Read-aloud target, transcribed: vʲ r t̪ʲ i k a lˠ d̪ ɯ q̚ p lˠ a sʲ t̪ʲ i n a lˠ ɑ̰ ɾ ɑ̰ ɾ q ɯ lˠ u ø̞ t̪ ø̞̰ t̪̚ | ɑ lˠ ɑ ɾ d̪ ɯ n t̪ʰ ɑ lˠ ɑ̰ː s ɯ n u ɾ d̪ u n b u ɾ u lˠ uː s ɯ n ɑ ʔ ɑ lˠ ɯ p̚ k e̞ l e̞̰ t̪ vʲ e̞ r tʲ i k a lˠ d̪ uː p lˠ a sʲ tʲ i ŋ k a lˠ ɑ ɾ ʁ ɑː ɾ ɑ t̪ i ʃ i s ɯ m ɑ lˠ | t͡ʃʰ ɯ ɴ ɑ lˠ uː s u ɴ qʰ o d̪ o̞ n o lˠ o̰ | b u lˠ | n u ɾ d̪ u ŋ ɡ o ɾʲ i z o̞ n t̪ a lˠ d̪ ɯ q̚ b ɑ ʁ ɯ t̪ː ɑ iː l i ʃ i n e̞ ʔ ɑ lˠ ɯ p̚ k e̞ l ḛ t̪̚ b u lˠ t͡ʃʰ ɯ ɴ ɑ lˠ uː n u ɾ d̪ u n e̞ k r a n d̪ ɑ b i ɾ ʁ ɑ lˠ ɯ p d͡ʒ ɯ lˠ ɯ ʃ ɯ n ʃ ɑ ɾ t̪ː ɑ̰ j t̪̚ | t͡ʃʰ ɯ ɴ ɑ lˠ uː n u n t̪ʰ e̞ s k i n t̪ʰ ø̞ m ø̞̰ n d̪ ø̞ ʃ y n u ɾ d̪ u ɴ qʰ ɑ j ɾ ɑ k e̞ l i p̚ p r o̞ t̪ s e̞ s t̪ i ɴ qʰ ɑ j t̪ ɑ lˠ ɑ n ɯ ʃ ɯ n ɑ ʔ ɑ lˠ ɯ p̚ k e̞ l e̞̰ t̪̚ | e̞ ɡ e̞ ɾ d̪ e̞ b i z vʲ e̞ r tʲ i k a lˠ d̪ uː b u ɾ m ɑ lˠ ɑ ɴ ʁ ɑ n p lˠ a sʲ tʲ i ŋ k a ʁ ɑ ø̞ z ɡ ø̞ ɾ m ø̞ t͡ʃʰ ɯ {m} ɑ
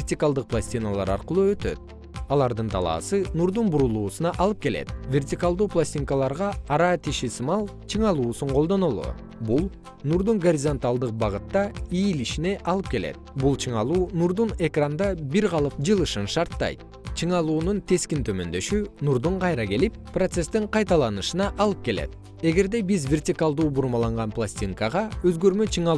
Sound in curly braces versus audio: incorrect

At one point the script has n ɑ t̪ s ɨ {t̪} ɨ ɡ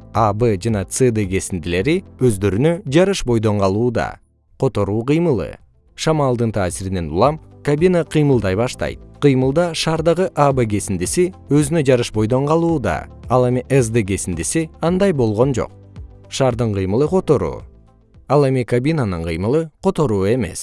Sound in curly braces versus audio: incorrect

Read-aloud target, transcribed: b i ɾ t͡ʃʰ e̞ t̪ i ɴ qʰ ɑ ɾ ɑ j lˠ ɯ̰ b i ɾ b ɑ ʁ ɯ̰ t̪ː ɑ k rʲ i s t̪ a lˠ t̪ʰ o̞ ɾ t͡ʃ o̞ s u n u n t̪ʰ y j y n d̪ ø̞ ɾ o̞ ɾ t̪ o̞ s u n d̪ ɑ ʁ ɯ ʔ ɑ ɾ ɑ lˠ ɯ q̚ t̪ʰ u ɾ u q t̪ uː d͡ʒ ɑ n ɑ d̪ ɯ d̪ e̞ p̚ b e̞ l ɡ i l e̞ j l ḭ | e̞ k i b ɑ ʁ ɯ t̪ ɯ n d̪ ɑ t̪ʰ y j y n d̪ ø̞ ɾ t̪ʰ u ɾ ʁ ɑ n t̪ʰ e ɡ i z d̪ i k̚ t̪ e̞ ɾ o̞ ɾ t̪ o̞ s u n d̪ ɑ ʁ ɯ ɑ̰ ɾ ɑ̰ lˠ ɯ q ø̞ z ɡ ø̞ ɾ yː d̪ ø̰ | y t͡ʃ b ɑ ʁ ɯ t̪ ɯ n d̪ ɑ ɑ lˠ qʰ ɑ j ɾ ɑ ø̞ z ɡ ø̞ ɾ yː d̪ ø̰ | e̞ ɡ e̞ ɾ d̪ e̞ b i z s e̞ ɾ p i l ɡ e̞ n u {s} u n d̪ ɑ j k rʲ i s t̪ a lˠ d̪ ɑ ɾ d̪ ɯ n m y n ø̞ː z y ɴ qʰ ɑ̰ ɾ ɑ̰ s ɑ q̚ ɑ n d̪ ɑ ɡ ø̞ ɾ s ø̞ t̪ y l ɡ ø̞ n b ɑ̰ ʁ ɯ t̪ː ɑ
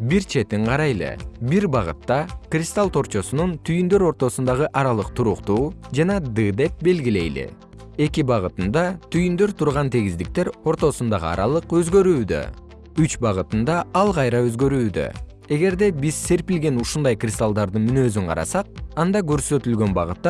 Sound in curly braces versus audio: incorrect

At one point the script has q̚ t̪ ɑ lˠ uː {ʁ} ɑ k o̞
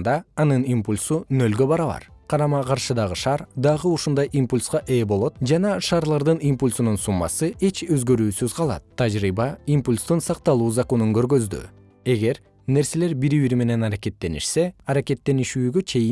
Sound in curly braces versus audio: incorrect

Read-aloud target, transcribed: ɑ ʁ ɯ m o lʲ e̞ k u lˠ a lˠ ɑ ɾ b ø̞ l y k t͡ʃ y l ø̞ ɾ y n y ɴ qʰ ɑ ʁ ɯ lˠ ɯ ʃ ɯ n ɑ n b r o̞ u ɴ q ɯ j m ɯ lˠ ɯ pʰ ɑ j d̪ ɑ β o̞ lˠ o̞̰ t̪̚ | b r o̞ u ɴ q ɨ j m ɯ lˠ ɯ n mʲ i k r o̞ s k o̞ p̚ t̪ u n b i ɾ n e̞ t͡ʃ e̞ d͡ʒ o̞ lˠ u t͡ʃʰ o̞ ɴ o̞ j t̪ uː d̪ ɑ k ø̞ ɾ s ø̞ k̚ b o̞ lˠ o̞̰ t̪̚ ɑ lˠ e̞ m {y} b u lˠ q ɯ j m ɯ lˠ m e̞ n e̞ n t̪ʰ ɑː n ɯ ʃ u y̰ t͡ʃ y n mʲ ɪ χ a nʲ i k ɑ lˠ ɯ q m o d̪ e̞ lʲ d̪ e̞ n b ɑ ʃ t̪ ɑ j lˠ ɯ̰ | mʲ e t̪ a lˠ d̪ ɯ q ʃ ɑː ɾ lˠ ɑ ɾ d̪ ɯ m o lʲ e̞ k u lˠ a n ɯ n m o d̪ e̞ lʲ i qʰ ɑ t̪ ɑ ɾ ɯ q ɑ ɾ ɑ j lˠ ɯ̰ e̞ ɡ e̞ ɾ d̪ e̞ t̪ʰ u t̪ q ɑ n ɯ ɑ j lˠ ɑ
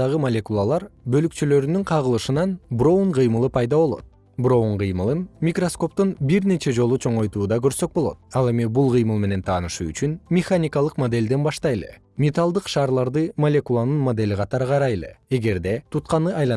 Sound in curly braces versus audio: incorrect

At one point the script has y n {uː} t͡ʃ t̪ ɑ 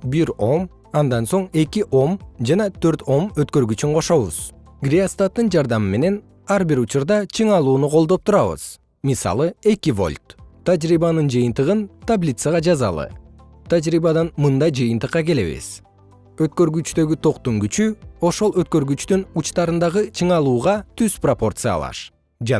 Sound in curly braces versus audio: incorrect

